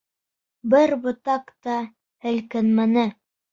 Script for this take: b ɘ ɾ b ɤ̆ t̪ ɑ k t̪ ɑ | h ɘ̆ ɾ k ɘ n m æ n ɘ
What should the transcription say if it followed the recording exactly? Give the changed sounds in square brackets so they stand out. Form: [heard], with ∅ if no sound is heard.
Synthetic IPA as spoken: b ɘ ɾ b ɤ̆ t̪ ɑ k t̪ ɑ | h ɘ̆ [l] k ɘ n m æ n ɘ